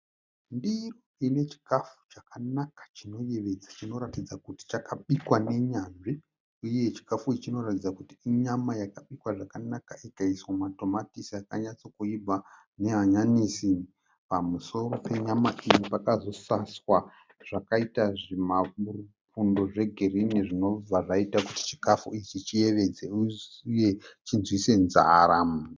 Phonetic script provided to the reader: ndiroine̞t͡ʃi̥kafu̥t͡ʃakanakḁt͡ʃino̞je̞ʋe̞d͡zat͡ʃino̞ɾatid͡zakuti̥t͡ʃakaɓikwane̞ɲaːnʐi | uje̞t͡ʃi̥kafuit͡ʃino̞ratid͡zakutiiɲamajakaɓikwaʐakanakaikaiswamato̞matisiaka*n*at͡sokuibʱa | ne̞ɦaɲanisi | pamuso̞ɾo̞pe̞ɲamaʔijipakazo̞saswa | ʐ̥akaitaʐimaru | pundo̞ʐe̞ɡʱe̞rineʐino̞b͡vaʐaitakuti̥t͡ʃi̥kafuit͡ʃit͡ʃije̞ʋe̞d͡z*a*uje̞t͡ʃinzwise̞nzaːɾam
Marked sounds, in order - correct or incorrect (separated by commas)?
incorrect, incorrect